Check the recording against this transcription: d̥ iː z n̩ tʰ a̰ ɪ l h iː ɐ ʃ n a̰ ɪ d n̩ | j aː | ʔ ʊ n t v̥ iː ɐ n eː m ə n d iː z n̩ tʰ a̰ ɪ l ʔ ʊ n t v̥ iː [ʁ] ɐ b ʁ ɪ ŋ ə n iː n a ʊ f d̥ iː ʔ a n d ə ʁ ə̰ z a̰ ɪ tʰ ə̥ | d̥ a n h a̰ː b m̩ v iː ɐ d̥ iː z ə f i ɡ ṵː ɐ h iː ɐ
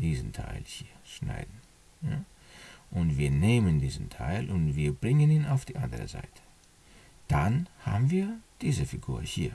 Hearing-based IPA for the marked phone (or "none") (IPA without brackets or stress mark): none